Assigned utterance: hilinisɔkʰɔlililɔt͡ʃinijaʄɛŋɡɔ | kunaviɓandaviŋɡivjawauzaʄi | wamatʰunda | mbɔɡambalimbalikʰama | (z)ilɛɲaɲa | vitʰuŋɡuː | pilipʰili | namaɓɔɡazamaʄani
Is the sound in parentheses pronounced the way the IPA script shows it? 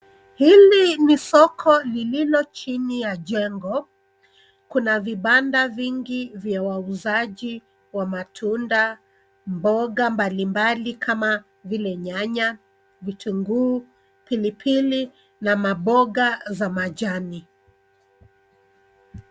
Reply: no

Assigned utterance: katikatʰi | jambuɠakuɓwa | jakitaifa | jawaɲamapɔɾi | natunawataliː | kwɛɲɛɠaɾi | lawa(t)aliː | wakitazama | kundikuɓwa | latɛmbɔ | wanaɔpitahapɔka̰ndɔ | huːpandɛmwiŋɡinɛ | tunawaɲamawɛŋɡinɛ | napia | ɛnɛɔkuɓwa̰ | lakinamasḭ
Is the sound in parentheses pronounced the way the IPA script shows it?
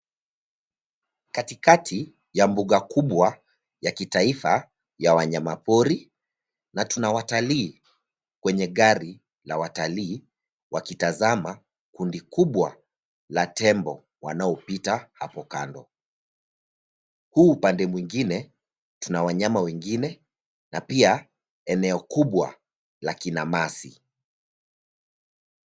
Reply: yes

